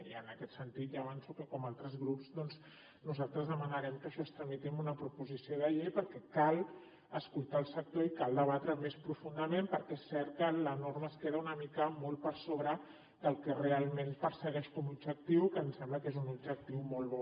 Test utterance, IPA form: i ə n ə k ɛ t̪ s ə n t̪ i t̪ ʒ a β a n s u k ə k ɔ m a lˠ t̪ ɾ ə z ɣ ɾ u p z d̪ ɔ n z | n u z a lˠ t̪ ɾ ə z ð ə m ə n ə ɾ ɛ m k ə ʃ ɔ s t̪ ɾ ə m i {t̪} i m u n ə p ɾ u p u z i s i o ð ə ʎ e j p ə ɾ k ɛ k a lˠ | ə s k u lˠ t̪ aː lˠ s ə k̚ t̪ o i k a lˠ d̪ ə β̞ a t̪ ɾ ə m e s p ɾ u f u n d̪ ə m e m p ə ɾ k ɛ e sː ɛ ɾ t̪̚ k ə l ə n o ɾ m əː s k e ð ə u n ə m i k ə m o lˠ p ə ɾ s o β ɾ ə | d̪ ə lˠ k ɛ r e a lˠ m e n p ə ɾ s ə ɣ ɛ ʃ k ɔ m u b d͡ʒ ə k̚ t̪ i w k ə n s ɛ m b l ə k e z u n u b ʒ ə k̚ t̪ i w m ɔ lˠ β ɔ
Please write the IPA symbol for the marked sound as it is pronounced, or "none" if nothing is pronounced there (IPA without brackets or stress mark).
t̪